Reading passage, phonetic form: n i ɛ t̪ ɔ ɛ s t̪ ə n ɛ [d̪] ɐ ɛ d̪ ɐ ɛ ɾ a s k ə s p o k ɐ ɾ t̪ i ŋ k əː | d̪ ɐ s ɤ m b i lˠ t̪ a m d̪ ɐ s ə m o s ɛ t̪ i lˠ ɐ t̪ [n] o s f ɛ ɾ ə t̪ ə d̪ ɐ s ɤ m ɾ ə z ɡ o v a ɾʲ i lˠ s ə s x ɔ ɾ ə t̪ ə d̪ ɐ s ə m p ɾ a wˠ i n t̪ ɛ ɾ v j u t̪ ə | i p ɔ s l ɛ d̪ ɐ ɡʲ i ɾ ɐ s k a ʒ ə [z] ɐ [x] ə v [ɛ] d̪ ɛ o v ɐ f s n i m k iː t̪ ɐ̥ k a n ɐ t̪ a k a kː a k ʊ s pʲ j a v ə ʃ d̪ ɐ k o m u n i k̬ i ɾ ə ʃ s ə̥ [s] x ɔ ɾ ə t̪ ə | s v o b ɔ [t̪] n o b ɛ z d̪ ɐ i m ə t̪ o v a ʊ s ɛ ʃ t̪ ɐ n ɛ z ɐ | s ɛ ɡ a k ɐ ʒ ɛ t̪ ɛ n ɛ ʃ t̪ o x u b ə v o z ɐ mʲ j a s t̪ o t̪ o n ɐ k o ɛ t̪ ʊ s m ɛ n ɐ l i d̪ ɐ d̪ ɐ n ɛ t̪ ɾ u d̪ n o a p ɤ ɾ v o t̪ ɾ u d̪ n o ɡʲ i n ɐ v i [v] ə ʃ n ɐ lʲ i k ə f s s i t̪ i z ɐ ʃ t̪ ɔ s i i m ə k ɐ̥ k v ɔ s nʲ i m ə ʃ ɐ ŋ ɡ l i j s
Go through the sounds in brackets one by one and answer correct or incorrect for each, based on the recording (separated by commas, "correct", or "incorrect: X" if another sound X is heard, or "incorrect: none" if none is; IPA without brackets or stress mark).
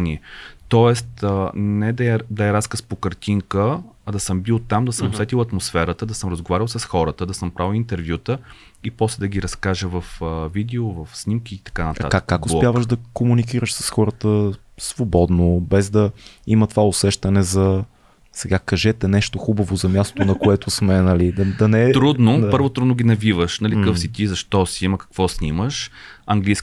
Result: correct, incorrect: m, incorrect: v, incorrect: f, incorrect: i, correct, incorrect: d̪, correct